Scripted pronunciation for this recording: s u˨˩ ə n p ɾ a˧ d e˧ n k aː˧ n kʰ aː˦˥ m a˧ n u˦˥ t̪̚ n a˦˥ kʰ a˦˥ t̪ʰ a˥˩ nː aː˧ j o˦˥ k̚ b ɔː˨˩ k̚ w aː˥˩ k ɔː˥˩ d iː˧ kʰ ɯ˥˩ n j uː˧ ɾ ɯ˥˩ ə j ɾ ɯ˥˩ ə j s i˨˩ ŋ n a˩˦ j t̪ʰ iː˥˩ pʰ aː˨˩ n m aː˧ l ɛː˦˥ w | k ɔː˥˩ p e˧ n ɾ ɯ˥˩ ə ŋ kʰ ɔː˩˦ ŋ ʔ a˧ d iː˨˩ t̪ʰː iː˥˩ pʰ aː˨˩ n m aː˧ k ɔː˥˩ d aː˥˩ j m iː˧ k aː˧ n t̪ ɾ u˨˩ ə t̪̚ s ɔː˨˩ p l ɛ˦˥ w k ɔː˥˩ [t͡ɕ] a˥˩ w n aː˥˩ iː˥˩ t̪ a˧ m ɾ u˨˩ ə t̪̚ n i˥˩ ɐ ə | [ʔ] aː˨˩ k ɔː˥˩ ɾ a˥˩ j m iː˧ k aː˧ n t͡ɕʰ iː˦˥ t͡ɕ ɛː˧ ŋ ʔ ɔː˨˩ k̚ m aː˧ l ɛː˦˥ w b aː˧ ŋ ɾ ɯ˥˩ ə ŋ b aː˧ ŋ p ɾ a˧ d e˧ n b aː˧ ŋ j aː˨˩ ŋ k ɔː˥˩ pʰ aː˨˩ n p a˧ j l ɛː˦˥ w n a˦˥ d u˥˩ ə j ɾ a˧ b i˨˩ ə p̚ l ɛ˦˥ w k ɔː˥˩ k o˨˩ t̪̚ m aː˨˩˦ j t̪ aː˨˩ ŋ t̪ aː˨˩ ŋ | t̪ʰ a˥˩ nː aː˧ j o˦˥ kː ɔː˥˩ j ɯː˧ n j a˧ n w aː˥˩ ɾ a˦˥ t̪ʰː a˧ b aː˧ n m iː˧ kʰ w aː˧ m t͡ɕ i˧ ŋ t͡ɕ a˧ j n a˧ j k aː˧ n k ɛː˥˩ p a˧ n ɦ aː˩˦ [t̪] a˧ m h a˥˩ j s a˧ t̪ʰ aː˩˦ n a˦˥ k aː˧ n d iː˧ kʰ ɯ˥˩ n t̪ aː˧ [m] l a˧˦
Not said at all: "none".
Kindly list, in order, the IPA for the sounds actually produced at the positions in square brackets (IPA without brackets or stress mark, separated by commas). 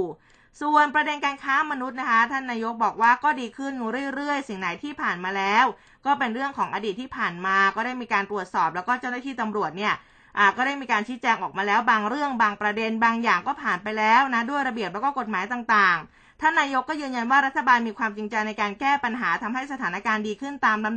t͡ɕ, ʔ, t̪ʰ, m